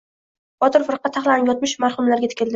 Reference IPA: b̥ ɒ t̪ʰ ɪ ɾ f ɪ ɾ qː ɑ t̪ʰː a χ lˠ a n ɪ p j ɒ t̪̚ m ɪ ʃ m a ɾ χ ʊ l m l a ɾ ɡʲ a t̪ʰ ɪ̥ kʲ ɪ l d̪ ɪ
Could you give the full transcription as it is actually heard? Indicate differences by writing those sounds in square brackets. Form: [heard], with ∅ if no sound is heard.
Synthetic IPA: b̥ ɒ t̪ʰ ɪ ɾ f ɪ ɾ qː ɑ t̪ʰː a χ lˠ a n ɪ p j ɒ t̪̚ m ɪ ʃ m a ɾ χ ʊ [∅] m l a ɾ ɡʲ a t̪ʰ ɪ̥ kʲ ɪ l d̪ ɪ